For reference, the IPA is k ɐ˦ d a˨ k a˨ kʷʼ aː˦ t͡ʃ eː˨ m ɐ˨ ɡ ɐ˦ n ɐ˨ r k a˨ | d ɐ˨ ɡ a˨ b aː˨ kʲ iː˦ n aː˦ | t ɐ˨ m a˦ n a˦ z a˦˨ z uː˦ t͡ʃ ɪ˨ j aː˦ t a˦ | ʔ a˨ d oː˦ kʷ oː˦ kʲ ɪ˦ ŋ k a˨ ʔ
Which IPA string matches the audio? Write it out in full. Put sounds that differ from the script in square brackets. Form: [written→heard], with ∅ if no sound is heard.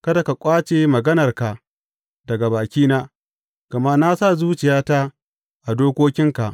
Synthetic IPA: k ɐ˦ d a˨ k a˨ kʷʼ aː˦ t͡ʃ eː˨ m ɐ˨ ɡ ɐ˦ n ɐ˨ r k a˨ | d ɐ˨ ɡ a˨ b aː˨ kʲ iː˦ n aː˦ | [t→k] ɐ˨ m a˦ n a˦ [z→s] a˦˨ z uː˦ t͡ʃ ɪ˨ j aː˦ t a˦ | ʔ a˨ d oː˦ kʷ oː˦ kʲ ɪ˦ ŋ k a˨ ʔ